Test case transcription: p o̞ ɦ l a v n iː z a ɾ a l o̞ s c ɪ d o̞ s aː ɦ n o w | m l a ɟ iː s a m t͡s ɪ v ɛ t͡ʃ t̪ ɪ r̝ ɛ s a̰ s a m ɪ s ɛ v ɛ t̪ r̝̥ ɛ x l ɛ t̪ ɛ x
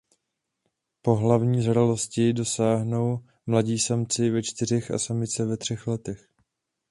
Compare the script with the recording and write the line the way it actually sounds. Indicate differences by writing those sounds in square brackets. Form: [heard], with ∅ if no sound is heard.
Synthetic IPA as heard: p o̞ ɦ l a v [ɲ] iː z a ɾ a l o̞ s c ɪ d o̞ s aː ɦ n o w | m l a ɟ iː s a m t͡s ɪ v ɛ t͡ʃ t̪ ɪ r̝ ɛ [x] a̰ s a m ɪ [t͡s] ɛ v ɛ t̪ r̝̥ ɛ x l ɛ t̪ ɛ x

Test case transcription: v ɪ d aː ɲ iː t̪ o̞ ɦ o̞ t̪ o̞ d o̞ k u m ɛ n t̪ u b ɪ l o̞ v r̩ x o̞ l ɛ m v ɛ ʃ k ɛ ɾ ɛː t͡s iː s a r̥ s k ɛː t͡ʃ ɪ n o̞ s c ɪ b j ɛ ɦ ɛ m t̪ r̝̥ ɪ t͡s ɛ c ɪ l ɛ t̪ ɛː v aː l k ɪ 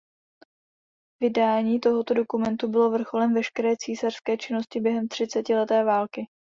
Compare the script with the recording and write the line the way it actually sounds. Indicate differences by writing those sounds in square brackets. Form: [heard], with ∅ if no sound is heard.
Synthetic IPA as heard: v ɪ d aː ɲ iː t̪ o̞ ɦ o̞ t̪ o̞ d o̞ k u m ɛ n t̪ u b ɪ l o̞ v r̩ x o̞ l ɛ m v ɛ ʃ k ɛ ɾ ɛː t͡s iː s a r̥ s k ɛː t͡ʃ ɪ n o̞ s c ɪ b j ɛ ɦ ɛ m t̪ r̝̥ ɪ t͡s ɛ c ɪ l ɛ t̪ ɛː v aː l k ɪ

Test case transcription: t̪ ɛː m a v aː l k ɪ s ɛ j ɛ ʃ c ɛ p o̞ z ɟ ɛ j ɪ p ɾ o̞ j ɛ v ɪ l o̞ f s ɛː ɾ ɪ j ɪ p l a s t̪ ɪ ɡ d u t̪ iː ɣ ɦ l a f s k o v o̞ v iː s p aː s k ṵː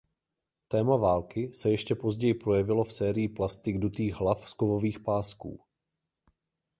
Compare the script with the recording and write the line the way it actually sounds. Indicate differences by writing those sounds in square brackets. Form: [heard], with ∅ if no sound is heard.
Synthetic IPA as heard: t̪ ɛː m a v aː l k ɪ s ɛ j ɛ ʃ c ɛ p o̞ z ɟ ɛ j ɪ p ɾ o̞ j ɛ v ɪ l o̞ f s ɛː ɾ ɪ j ɪ p l a s t̪ ɪ ɡ d u t̪ iː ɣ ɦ l a f s k o v o̞ v iː [x] p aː s k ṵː

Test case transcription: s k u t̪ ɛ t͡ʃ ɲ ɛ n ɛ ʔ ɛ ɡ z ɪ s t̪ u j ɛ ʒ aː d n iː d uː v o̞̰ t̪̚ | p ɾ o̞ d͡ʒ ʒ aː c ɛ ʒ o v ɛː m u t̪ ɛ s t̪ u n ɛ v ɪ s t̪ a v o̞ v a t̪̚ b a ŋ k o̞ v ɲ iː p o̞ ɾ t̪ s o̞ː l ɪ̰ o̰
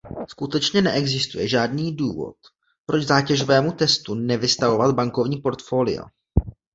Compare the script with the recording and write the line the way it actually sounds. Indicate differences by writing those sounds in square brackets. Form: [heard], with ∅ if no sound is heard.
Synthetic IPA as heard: s k u t̪ ɛ t͡ʃ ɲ ɛ n ɛ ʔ ɛ ɡ z ɪ s t̪ u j ɛ ʒ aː d n iː d uː v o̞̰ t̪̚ | p ɾ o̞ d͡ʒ [z] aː c ɛ ʒ o v ɛː m u t̪ ɛ s t̪ u n ɛ v ɪ s t̪ a v o̞ v a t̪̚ b a ŋ k o̞ v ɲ iː p o̞ ɾ t̪ [f] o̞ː l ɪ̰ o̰

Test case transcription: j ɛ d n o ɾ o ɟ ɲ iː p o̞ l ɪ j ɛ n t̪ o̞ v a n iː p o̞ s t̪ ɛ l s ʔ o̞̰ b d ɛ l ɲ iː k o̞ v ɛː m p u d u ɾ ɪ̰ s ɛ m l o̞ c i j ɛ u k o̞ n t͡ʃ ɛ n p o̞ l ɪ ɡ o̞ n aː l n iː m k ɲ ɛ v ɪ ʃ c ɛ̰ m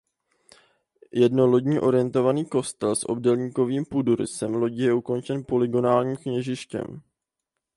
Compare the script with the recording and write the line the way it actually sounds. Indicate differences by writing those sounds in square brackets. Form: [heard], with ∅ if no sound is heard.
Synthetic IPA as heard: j ɛ d n o [l] o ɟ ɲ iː [ʔ] o̞ [ɾ] ɪ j ɛ n t̪ o̞ v a n iː [k] o̞ s t̪ ɛ l s ʔ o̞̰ b d ɛ l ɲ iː k o̞ v [iː] m p u d u ɾ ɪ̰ s ɛ m l o̞ [ɟ] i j ɛ u k o̞ n t͡ʃ ɛ n p o̞ l ɪ ɡ o̞ n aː l [ɲ] iː m k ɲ ɛ [ʒ] ɪ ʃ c ɛ̰ m

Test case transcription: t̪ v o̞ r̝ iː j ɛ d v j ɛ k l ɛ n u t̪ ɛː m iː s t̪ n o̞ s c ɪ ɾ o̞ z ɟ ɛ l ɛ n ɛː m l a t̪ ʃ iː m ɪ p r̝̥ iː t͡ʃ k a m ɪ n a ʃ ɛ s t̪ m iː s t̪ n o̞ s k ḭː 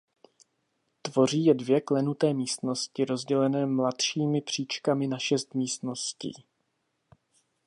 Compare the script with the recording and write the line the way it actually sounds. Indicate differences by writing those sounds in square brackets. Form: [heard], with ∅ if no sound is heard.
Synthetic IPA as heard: t̪ v o̞ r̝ iː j ɛ d v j ɛ k l ɛ n u t̪ ɛː m iː s t̪ n o̞ s c ɪ ɾ o̞ z ɟ ɛ l ɛ n ɛː m l a t̪ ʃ iː m ɪ p r̝̥ iː t͡ʃ k a m ɪ n a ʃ ɛ s t̪ m iː s t̪ n o̞ s [c] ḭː

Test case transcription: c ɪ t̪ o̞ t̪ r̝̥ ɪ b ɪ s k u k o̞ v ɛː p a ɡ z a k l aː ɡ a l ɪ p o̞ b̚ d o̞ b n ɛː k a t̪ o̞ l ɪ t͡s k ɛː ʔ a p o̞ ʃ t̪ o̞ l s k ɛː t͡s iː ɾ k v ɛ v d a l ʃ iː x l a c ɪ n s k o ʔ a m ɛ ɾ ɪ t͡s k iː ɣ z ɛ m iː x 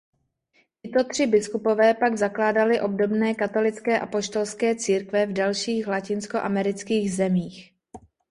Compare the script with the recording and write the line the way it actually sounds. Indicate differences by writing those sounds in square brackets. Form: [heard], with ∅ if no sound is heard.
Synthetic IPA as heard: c ɪ t̪ o̞ t̪ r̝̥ ɪ b ɪ s k u [p] o̞ v ɛː p a ɡ z a k l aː [d] a l ɪ [ʔ] o̞ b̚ d o̞ b n ɛː k a t̪ o̞ l ɪ t͡s k ɛː ʔ a p o̞ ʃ t̪ o̞ l s k ɛː t͡s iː ɾ k v ɛ v d a l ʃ iː x l a c ɪ n s k o ʔ a m ɛ ɾ ɪ t͡s k iː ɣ z ɛ m iː x

